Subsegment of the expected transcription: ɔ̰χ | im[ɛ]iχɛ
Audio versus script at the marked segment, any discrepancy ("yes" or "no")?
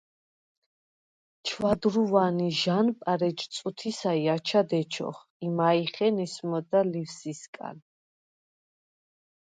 yes